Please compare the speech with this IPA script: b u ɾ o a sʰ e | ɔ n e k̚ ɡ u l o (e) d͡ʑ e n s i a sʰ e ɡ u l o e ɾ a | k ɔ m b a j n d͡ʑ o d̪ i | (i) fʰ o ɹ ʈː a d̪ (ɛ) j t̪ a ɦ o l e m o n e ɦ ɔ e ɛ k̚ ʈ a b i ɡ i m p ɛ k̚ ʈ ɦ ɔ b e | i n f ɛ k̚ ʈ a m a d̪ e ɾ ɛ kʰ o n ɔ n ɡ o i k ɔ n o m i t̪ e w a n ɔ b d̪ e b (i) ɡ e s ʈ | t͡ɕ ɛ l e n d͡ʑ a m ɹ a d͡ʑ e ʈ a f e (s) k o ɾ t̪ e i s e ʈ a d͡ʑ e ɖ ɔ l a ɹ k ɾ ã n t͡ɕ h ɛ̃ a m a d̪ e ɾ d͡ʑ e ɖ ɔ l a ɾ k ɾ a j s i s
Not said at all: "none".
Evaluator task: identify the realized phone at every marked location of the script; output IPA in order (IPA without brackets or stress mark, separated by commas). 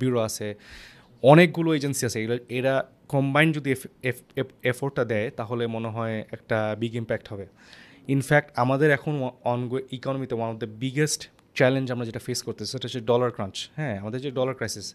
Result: e, e, ɛ, i, s